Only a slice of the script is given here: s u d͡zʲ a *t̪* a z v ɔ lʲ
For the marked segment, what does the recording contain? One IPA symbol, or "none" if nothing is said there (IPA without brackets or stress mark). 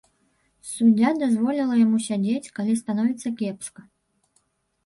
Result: d̪